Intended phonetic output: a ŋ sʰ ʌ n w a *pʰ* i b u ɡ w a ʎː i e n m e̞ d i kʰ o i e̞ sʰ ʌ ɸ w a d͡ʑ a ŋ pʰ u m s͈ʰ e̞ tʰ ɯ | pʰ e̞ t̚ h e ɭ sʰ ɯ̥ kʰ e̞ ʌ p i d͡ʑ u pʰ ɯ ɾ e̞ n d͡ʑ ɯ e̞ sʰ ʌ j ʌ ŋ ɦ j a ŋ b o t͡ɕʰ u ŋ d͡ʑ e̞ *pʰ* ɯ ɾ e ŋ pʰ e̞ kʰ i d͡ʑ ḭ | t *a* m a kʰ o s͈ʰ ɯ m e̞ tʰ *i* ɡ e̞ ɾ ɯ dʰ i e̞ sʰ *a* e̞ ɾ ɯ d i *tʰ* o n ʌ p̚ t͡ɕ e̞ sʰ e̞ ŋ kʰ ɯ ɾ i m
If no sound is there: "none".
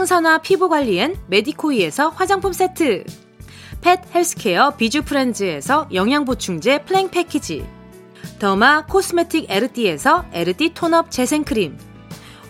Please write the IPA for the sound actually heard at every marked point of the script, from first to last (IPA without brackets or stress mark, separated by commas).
pʰ, pʰ, ʌ, i, ʌ, tʰ